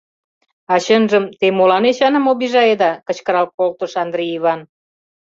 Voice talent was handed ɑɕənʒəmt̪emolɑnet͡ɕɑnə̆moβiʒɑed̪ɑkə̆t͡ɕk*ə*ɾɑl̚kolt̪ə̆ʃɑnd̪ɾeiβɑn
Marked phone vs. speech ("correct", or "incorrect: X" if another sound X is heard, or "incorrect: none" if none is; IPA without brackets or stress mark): correct